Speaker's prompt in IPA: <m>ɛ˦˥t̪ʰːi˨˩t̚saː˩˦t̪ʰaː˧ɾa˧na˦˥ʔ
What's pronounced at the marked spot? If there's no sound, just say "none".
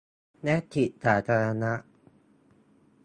n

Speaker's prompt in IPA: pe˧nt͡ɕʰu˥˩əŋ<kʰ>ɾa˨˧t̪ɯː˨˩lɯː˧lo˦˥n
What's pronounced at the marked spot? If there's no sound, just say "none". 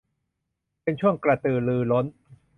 k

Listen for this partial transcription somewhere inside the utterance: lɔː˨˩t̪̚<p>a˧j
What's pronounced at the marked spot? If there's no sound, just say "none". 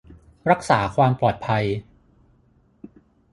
pʰ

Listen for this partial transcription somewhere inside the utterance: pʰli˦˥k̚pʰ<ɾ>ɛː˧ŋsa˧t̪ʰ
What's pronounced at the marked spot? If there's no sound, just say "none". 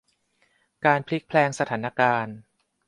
l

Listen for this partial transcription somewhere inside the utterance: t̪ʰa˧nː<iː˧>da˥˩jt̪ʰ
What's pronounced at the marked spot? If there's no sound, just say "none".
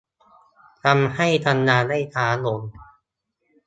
aː˧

